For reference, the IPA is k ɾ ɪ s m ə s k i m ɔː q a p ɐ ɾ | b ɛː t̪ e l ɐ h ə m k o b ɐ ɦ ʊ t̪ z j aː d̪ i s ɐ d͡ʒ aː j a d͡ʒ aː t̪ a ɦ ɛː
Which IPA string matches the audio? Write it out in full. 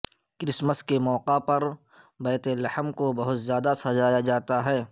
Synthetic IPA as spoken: k ɾ ɪ s m ə s k e m ɔː q a p ɐ ɾ | b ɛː t̪ e l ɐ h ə m k o b ɐ ɦ ʊ t̪ z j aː d̪ a s ɐ d͡ʒ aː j a d͡ʒ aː t̪ a ɦ ɛː